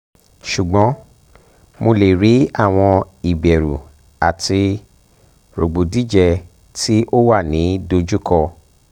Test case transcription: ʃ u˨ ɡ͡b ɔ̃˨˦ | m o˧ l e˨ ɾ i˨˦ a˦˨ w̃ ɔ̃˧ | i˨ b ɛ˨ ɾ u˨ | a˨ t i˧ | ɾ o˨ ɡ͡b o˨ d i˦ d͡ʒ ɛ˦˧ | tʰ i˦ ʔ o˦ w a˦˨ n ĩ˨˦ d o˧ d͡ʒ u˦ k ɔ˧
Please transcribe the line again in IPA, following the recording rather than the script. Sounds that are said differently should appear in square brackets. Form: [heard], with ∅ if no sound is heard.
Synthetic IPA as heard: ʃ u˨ ɡ͡b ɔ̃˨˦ | m o˧ l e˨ ɾ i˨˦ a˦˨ w̃ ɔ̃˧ | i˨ b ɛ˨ ɾ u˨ | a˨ t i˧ | ɾ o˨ ɡ͡b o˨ d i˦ d͡ʒ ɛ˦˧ | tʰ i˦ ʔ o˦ w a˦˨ n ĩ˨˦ d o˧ d͡ʒ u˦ k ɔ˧